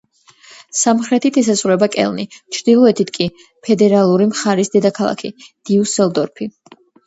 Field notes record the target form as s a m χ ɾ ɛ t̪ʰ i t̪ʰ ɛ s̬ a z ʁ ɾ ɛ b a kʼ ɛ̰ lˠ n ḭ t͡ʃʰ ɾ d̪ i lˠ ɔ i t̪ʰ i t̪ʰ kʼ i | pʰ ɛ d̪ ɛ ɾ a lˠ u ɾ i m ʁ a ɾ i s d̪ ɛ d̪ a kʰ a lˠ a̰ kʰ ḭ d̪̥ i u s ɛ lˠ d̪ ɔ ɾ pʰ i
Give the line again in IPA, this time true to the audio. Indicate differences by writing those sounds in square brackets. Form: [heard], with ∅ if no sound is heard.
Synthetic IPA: s a m χ ɾ ɛ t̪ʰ i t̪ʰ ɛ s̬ a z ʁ ɾ ɛ b a kʼ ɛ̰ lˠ n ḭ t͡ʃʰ ɾ d̪ i lˠ ɔ [ɛ] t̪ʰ i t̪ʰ kʼ i | pʰ ɛ d̪ ɛ ɾ a lˠ u ɾ i m [χ] a ɾ i s d̪ ɛ d̪ a kʰ a lˠ a̰ kʰ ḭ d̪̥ i u s ɛ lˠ d̪ ɔ ɾ pʰ i